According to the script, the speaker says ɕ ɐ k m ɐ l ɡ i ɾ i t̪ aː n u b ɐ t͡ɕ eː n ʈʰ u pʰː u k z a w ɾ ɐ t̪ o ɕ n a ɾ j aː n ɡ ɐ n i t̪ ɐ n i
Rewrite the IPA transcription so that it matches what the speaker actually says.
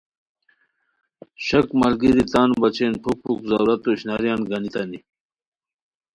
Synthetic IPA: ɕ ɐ k m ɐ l ɡ i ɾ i t̪ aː n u b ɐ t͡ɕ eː n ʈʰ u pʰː u k z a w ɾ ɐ t̪ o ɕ n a ɾ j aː n ɡ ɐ n i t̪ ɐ n i